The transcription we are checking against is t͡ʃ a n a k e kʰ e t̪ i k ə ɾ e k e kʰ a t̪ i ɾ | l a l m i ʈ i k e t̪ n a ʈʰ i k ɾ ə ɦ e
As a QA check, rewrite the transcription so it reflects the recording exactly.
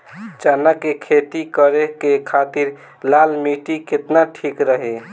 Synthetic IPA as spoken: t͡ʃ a n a k e kʰ e t̪ i k ə ɾ e k e kʰ a t̪ i ɾ | l a l m i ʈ i k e t̪ n a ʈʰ i k ɾ ə ɦ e